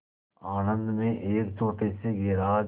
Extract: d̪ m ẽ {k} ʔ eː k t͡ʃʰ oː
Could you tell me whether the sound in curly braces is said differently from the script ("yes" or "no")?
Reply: yes